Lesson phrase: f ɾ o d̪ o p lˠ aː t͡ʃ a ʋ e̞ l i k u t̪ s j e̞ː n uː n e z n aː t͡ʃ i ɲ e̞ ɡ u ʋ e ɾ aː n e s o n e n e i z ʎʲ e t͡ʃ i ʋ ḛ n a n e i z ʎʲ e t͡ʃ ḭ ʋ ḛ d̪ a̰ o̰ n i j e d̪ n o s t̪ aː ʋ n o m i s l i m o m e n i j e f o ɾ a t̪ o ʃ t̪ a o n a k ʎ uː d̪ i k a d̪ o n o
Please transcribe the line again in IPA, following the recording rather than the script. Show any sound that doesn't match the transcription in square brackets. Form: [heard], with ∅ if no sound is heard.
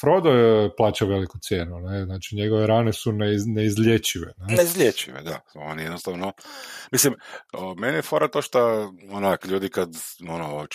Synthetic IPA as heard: f ɾ o d̪ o p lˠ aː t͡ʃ a ʋ e̞ l i k u t̪ s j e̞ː n [u] n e z n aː t͡ʃ i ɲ e̞ ɡ [o] ʋ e ɾ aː n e s [u] n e n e i z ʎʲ e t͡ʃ i ʋ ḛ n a n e i z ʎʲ e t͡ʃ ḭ ʋ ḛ d̪ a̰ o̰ n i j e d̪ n o s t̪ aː ʋ n o m i s l i m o m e n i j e f o ɾ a t̪ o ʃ t̪ a o n a k ʎ uː d̪ i k a d̪ o n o